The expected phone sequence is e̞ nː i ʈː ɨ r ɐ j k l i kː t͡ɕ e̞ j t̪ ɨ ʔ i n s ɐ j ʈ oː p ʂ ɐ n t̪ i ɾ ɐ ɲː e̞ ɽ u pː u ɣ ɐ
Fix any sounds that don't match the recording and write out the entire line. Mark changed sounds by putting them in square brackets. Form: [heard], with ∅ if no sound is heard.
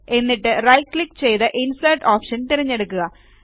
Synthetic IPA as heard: e̞ nː i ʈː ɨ r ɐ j k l i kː t͡ɕ e̞ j t̪ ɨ ʔ i n s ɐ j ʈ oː p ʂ ɐ n t̪ i ɾ ɐ ɲː e̞ ɽ u [kː] u ɣ ɐ